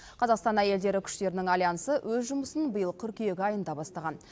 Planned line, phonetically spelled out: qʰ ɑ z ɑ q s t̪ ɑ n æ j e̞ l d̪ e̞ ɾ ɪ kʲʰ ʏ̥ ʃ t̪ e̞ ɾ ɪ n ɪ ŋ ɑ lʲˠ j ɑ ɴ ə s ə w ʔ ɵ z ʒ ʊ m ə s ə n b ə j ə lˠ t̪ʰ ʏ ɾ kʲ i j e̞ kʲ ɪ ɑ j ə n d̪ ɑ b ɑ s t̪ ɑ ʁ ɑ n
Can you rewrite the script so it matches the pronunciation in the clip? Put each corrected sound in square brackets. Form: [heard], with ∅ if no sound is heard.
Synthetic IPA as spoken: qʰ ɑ z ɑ q s t̪ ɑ n æ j e̞ l d̪ e̞ ɾ ɪ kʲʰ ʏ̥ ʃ t̪ e̞ ɾ ɪ n ɪ ŋ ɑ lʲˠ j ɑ [n] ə s ə w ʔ ɵ z ʒ ʊ m ə s ə n b ə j ə lˠ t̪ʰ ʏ ɾ kʲ i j e̞ [ɡʲ] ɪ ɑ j ə n d̪ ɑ b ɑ s t̪ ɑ ʁ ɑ n